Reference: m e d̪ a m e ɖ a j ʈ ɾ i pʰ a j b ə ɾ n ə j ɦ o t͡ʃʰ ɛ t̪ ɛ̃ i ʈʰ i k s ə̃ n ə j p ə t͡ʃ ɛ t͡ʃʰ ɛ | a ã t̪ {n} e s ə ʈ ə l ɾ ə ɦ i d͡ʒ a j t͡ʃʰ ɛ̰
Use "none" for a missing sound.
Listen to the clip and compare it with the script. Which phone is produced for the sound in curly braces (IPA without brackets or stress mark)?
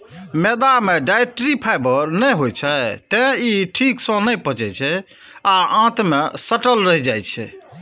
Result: m